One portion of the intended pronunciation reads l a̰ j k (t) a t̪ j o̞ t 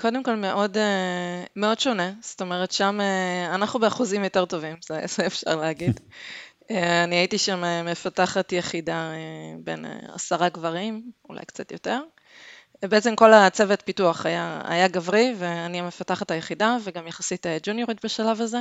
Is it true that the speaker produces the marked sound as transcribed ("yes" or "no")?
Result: no